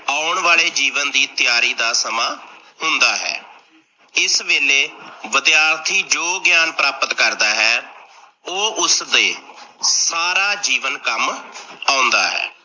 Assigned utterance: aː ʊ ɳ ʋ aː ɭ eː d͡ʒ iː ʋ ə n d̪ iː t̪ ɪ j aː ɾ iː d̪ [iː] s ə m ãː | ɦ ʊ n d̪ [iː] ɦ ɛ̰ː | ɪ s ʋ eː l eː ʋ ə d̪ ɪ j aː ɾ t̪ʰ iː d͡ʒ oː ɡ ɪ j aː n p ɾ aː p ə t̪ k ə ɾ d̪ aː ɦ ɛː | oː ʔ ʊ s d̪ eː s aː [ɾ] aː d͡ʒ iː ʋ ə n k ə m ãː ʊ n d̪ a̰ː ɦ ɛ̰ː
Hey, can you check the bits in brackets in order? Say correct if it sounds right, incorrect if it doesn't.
incorrect: aː, incorrect: aː, correct

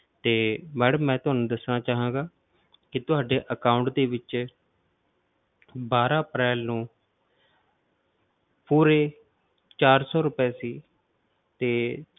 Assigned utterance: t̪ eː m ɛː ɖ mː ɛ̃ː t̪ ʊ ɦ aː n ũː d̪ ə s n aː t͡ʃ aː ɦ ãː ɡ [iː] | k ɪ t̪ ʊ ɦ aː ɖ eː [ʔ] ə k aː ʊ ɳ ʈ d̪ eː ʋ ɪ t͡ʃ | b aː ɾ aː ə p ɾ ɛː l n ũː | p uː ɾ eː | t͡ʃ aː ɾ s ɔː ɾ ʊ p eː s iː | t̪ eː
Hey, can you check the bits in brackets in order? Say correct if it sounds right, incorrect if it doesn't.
incorrect: aː, correct

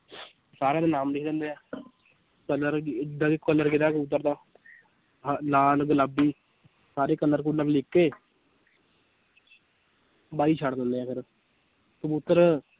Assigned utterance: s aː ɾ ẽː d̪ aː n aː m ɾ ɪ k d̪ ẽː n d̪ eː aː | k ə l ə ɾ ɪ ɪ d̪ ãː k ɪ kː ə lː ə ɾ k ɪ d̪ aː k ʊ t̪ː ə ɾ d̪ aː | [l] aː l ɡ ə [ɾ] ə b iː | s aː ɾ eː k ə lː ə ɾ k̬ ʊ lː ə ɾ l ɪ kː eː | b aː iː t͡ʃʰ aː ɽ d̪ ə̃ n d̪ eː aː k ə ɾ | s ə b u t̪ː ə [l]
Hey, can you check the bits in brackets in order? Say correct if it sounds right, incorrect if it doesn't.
correct, incorrect: l, incorrect: ɾ

